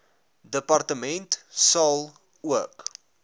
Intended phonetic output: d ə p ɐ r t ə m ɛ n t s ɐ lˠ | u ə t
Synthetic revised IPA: d ə p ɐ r t ə m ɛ n t s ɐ lˠ | u ə k

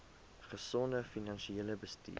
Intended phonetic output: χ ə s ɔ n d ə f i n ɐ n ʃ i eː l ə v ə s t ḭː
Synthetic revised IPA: χ ə s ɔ n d ə f i n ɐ n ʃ i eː l ə b ə s t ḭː

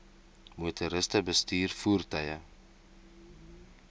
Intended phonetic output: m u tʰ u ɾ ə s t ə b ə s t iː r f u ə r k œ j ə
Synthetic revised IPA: m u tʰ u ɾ ə s t ə b ə s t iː r f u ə r t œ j ə

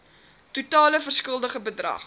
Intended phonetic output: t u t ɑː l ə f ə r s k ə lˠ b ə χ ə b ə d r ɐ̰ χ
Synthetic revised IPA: t u t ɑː l ə f ə r s k ə lˠ d ə χ ə b ə d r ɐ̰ χ

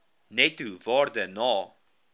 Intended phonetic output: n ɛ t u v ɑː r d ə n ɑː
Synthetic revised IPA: n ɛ t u v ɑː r d ə n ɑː

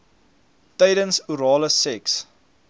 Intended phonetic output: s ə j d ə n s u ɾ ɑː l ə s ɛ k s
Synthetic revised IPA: t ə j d ə n s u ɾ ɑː l ə s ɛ k s

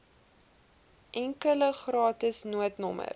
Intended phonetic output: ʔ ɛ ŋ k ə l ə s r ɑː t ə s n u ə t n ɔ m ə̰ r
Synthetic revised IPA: ʔ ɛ ŋ k ə l ə χ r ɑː t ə s n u ə t n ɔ m ə̰ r

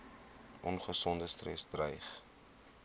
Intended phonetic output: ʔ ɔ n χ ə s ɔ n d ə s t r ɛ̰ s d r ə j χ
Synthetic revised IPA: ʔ ɔ n χ ə s ɔ n d ə s t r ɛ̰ s d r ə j χ

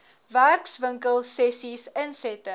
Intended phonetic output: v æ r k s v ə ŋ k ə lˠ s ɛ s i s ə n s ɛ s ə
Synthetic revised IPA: v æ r k s v ə ŋ k ə lˠ s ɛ s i s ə n s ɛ t ə

